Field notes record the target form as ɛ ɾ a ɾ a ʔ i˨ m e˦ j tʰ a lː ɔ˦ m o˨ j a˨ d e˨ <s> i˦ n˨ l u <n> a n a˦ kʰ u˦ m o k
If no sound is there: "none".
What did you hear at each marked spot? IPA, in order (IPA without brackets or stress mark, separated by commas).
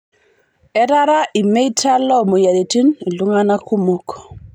t, ŋ